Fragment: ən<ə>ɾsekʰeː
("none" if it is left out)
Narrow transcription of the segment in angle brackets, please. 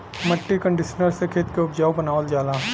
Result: ə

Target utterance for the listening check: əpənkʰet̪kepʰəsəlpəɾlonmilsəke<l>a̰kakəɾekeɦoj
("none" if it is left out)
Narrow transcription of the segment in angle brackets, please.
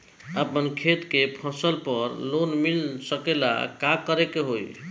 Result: l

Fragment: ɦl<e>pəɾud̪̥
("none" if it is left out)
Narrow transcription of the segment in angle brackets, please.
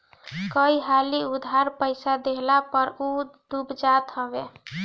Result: a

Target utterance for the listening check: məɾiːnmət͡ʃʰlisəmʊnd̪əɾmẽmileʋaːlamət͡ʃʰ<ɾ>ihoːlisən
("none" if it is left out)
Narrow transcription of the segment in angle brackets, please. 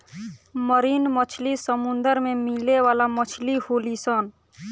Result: l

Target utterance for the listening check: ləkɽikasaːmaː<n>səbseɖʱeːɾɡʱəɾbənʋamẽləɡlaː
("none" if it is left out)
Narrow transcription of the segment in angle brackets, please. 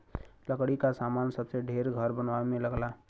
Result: n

